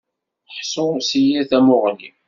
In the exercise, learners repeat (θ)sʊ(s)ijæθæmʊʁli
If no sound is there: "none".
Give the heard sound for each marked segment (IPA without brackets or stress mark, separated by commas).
ħ, s